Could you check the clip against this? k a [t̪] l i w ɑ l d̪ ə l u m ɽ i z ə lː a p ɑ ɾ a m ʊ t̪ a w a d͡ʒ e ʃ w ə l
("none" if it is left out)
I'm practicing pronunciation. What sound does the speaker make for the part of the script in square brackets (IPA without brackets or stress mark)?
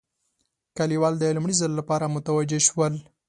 none